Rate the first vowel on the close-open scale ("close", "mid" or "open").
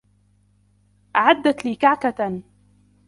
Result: open